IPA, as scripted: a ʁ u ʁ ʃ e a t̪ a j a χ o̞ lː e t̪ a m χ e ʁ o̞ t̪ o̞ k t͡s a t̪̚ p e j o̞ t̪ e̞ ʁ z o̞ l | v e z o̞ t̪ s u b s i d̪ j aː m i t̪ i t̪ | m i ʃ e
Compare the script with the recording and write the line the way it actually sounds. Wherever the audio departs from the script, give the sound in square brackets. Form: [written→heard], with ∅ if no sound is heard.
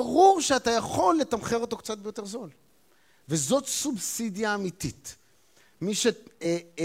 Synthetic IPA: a ʁ u ʁ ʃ e a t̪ a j a χ o̞ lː e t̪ a m χ e ʁ o̞ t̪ o̞ k t͡s a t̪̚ [p→b] e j o̞ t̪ e̞ ʁ z o̞ l | v e z o̞ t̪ s u b s i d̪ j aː m i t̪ i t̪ | m i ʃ e